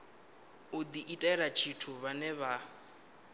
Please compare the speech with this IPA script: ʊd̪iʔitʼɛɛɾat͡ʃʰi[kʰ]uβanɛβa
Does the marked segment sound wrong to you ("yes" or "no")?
yes